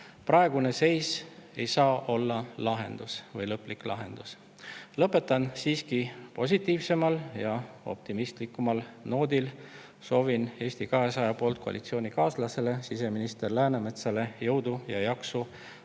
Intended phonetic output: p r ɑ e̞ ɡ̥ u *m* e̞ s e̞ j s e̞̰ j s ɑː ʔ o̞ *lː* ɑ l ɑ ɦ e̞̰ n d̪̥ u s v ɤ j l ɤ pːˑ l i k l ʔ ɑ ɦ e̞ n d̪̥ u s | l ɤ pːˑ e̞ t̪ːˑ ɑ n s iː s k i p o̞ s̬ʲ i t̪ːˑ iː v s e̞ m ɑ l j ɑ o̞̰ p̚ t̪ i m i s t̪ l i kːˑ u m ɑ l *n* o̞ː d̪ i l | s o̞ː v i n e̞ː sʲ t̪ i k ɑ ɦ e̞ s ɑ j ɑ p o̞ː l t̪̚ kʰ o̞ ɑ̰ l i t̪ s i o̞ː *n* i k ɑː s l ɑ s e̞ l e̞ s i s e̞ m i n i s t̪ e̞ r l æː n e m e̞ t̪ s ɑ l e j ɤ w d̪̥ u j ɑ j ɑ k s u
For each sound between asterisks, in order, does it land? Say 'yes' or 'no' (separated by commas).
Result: no, yes, yes, yes